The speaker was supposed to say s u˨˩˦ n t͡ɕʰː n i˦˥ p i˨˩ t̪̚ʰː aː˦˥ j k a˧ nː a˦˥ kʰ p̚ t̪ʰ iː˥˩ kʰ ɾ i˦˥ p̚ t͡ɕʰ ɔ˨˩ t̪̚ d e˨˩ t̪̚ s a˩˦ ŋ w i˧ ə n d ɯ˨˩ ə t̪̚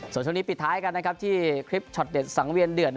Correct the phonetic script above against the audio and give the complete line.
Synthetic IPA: s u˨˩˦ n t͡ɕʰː n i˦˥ p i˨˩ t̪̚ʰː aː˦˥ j k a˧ nː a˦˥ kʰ p̚ t̪ʰ iː˥˩ kʰ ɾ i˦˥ p̚ t͡ɕʰ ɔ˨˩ t̪̚ d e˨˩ t̪̚ s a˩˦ ŋ w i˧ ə n d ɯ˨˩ ə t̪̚